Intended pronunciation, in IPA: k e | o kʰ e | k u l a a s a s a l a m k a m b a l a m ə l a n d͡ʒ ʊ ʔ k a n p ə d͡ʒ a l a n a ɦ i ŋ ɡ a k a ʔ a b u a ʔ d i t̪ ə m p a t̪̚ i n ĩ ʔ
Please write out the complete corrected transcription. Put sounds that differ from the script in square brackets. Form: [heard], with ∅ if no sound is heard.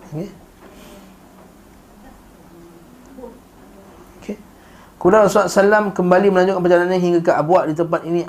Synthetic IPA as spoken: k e | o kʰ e | k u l a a s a s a l a m k [ə] m b a l [i] m ə l a [ɲ] d͡ʒ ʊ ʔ k a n p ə d͡ʒ a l a n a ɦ i ŋ ɡ a k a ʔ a b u a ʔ d i t̪ ə m p a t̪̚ i n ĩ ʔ